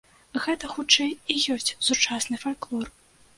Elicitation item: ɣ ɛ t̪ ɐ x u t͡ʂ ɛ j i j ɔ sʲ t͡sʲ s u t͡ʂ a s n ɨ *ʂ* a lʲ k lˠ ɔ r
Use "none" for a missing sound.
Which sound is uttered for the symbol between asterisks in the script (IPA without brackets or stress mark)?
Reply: f